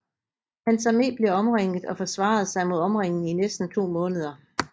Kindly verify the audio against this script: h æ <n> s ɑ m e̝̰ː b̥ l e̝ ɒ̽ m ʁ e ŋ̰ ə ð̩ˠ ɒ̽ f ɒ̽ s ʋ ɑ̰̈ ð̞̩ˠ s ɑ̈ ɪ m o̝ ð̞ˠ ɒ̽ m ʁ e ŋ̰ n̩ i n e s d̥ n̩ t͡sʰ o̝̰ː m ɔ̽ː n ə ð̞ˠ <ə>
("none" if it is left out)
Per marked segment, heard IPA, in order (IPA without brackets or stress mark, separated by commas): n, ɐ